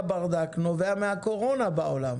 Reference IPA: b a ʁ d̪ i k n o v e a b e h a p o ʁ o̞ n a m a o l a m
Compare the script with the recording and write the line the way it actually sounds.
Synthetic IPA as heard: b a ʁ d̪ a k n o v e a m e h a k o ʁ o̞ n a b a o l a m

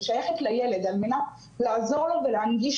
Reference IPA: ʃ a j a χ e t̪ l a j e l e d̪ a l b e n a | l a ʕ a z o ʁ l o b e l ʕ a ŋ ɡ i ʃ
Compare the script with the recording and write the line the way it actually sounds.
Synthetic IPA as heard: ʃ a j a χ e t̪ l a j e l e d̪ a l m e n a | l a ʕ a z o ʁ l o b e l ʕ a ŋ ɡ i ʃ

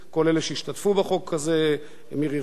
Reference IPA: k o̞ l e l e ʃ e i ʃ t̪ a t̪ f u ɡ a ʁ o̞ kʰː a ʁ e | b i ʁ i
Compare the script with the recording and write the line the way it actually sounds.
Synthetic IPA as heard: k o̞ l e l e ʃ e i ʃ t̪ a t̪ f u b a χ o̞ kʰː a z e | m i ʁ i

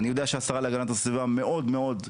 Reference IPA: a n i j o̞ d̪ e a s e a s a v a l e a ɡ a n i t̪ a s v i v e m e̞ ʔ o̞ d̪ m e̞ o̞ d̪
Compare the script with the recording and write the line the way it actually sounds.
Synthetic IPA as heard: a n i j o̞ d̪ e a ʃ e a s a ʁ a l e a ɡ a n a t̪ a s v i v a m e̞ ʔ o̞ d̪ m e̞ o̞ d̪

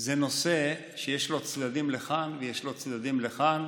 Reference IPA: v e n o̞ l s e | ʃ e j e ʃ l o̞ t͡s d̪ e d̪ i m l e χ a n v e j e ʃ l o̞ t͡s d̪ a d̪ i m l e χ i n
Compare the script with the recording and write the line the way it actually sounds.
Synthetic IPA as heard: z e n o̞ s e | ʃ e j e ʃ l o̞ t͡s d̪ a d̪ i m l e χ a n v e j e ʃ l o̞ t͡s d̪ a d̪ i m l e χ a n

